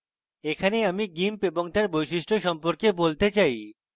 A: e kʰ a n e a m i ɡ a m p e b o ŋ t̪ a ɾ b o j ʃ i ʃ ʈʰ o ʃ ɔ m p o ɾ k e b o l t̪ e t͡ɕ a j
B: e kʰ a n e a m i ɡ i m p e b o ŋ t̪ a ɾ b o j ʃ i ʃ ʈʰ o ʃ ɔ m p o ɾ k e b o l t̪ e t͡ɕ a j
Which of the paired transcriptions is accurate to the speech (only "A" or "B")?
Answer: B